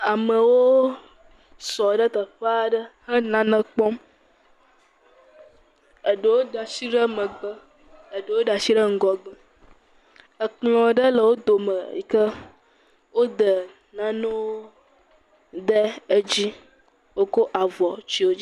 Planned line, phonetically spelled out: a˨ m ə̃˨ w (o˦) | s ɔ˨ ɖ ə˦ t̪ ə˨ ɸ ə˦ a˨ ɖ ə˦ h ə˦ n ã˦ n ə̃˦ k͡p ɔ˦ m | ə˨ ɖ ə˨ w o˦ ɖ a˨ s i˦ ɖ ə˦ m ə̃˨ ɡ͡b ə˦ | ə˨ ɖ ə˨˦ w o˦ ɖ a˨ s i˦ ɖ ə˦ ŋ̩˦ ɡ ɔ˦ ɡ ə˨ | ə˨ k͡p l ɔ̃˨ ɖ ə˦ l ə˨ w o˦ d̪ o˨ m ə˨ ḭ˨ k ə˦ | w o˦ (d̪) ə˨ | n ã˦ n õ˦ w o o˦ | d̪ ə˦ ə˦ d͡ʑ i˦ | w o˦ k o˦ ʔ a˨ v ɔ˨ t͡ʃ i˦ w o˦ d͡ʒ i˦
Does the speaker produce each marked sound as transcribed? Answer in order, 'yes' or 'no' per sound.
yes, yes

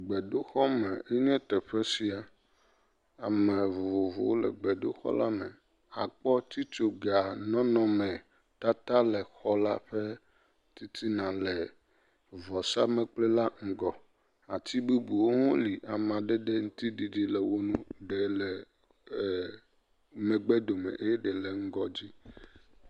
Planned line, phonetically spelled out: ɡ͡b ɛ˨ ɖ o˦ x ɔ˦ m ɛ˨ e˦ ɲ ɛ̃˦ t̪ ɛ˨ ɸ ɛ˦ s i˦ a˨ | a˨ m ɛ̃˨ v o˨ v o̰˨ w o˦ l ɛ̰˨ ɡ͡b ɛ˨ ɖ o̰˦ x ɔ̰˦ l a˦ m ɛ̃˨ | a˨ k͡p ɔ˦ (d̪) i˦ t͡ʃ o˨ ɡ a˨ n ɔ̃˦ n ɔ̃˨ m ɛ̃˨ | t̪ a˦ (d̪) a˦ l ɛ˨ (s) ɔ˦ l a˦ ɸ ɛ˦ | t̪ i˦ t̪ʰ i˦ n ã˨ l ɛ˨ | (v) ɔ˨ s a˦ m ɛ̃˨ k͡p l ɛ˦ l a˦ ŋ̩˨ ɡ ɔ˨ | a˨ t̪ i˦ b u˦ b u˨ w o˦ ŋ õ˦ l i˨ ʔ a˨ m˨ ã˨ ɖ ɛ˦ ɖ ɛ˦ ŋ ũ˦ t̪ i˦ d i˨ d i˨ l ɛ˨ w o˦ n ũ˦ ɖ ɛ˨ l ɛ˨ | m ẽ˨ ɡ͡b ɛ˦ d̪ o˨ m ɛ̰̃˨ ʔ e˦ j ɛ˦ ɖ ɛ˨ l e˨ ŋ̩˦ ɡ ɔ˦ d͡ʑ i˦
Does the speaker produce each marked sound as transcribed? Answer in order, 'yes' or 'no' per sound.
no, no, no, yes

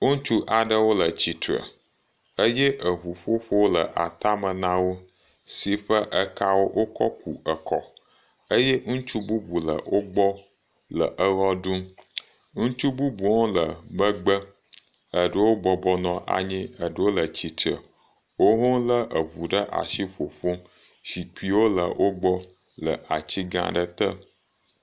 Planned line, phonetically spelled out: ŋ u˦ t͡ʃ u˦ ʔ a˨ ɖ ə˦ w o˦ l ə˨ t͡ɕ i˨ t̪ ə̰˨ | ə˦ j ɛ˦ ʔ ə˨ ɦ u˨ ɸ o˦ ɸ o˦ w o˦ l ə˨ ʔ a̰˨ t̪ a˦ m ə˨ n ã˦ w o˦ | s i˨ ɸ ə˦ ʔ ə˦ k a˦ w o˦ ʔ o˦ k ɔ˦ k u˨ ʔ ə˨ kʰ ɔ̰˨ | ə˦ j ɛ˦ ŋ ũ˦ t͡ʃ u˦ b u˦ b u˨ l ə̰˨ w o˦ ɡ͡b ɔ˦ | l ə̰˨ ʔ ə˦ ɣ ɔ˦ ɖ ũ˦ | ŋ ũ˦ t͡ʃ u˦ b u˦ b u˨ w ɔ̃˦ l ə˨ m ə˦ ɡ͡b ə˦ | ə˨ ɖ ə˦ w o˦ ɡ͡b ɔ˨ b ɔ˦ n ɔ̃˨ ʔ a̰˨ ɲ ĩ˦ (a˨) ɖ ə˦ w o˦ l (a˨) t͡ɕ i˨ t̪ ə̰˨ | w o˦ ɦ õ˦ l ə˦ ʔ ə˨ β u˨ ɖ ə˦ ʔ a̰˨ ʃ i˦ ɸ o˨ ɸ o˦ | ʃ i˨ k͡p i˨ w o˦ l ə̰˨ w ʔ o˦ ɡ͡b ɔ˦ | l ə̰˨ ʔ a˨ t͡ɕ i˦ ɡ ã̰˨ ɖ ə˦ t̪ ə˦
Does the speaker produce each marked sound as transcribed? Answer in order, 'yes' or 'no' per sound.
no, no

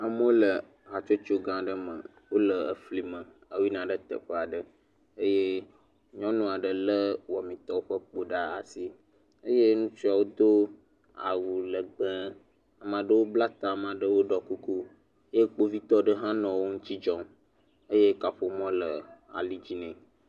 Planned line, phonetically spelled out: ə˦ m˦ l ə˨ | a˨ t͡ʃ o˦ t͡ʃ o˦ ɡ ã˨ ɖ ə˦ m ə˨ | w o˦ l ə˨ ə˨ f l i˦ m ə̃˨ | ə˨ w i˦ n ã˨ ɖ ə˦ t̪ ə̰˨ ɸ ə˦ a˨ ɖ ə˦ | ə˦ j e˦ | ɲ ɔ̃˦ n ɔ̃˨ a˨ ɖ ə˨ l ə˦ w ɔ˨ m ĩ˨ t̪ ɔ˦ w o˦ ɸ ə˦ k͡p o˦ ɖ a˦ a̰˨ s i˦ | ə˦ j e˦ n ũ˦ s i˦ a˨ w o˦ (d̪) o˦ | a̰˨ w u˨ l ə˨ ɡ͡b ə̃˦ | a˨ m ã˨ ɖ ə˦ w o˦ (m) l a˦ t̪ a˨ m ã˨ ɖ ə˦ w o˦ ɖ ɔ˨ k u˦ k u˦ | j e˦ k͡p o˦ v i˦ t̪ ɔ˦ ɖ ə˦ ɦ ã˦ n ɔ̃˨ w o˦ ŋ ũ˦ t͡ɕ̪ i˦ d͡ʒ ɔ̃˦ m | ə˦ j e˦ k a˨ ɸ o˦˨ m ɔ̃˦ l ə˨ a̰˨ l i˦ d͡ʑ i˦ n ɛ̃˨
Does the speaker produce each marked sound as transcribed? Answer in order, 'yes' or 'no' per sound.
yes, no

